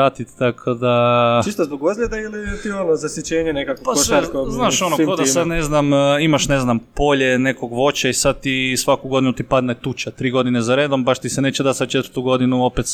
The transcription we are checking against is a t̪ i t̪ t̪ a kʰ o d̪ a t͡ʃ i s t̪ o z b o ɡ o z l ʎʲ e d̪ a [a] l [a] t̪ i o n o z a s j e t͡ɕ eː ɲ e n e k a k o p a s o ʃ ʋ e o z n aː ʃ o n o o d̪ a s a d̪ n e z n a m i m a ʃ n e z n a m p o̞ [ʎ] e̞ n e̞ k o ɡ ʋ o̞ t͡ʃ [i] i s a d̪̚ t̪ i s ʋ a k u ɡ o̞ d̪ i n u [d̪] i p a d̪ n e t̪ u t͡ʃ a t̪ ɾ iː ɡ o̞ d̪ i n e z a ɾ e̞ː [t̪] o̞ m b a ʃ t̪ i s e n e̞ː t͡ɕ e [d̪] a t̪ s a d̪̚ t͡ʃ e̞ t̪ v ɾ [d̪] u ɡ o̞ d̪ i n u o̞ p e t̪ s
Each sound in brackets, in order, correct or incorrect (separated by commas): incorrect, incorrect, correct, incorrect, incorrect, incorrect, correct, incorrect